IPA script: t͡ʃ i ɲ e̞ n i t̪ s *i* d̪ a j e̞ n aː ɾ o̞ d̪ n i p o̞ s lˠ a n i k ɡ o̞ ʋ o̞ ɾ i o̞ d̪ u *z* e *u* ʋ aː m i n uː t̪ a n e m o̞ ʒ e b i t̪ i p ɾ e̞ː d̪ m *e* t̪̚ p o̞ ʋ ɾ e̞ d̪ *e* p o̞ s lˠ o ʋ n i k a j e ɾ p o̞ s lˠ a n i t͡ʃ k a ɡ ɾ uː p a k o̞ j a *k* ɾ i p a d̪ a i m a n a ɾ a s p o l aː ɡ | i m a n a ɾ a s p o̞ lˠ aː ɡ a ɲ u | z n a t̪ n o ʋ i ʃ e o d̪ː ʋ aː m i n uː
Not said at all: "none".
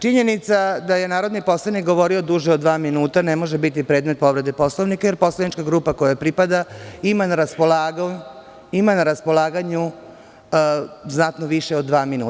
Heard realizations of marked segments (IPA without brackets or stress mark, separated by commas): a, ʒ, o, e, e, p